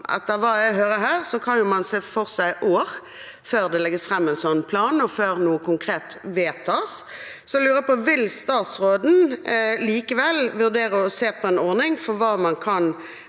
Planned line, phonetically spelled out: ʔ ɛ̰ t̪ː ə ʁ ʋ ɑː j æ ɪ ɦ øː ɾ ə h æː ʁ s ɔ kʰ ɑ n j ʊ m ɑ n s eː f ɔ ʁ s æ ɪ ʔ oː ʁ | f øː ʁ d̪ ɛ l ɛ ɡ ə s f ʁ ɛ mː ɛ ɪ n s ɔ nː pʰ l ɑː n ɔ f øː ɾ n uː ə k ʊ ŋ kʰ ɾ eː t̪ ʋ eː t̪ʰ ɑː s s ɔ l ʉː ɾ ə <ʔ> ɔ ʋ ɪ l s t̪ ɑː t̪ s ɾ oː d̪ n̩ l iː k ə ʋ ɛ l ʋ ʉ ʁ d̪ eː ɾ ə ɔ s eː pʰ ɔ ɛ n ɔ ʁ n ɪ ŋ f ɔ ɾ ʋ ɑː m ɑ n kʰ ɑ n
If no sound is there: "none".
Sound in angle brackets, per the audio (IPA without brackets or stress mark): p